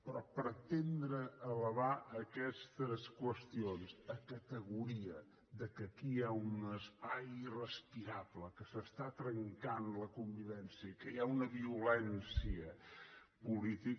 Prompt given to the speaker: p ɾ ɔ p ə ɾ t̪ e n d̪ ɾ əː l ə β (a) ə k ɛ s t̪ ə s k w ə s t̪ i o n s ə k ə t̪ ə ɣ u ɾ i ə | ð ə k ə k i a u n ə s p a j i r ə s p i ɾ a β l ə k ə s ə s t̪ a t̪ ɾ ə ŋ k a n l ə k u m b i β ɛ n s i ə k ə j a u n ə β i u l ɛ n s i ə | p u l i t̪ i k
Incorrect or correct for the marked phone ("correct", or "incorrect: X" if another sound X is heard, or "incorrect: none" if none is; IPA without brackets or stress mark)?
correct